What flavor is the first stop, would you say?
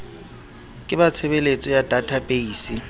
ejective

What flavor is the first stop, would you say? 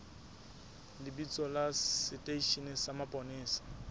plain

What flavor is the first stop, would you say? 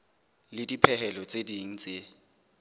plain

